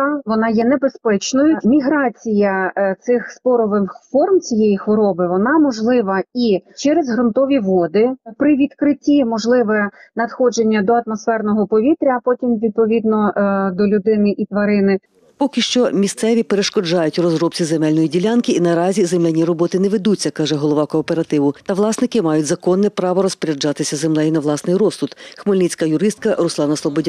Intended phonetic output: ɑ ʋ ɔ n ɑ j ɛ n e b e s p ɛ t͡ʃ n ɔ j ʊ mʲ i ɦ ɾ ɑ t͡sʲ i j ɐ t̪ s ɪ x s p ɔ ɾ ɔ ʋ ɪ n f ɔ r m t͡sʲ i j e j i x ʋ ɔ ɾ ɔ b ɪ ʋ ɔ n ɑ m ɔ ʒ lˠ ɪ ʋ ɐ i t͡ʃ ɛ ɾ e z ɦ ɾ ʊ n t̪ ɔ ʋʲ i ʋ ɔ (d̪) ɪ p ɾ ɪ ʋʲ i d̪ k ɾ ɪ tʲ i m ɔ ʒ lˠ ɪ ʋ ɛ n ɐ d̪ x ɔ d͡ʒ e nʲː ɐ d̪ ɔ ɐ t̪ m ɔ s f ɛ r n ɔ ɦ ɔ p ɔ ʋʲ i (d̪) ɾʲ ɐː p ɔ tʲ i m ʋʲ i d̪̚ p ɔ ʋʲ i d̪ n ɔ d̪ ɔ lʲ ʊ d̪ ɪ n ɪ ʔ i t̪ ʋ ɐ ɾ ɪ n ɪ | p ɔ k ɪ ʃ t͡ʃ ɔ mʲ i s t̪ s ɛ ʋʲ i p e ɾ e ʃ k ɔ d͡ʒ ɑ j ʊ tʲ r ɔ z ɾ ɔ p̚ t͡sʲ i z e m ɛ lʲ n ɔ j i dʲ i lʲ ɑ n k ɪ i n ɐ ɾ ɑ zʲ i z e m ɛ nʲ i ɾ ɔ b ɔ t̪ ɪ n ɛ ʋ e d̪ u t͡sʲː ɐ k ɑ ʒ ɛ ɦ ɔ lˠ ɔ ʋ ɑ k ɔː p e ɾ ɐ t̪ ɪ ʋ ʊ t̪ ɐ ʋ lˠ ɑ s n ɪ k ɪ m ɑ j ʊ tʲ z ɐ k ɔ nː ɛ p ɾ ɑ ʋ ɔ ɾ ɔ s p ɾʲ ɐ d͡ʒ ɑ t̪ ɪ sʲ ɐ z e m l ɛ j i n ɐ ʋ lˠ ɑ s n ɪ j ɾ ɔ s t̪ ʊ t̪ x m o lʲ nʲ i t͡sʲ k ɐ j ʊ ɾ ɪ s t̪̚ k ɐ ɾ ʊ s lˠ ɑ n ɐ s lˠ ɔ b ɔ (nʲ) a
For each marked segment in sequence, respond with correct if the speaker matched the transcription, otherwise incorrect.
correct, incorrect: t̪, incorrect: dʲ

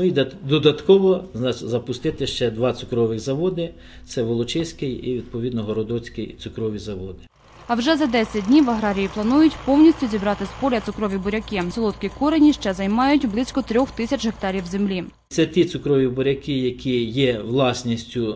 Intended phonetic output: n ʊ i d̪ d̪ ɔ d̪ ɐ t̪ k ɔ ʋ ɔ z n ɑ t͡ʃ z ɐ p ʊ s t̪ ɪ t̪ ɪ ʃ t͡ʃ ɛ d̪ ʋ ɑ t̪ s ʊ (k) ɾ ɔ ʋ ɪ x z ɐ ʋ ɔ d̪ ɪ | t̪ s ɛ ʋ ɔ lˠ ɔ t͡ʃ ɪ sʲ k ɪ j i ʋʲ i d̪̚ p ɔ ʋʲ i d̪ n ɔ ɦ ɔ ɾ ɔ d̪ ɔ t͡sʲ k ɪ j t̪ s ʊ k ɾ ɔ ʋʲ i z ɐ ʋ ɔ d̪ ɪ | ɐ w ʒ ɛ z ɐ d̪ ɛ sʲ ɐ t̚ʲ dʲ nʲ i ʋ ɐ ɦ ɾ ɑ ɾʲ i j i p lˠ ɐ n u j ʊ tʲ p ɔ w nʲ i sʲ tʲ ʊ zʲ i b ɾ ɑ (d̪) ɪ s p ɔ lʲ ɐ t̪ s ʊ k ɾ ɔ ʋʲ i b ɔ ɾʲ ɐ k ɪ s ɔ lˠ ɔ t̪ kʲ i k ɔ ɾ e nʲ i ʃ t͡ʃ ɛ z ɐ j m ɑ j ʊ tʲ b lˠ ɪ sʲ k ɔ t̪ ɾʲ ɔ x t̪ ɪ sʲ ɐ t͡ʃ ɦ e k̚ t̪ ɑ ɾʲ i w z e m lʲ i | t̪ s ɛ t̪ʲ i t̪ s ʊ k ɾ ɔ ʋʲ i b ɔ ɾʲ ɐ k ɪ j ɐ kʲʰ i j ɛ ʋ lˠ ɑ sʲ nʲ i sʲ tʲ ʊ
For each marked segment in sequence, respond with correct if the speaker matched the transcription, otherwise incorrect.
correct, incorrect: t̪

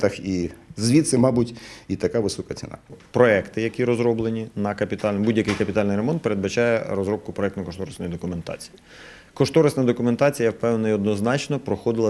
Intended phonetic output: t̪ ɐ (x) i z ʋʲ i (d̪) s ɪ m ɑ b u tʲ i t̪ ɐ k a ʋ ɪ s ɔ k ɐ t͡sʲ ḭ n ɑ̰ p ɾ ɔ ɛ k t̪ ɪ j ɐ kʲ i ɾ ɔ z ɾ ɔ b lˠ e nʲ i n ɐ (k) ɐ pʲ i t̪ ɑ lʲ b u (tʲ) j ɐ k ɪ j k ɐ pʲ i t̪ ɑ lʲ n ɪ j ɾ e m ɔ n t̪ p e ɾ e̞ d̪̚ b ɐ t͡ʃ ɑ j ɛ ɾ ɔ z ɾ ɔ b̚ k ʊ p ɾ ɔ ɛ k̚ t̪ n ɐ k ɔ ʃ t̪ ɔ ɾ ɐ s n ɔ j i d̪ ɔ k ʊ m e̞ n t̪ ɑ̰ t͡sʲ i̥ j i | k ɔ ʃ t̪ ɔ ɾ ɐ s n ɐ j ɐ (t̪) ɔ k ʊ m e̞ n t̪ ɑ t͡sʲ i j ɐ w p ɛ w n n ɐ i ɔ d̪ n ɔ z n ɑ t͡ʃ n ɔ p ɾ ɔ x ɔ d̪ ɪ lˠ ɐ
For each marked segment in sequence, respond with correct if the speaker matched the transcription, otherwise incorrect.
correct, incorrect: t̪, correct, incorrect: dʲ, incorrect: d̪

